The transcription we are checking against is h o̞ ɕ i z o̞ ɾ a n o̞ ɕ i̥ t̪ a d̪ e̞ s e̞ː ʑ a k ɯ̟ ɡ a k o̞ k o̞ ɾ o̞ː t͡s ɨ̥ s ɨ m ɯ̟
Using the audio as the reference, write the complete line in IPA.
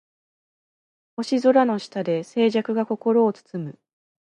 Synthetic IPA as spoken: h o̞ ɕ i z o̞ ɾ a n o̞ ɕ i̥ t̪ a d̪ e̞ s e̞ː ʑ a k ɯ̟ ɡ a k o̞ k o̞ ɾ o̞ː t͡s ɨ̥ t͡s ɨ m ɯ̟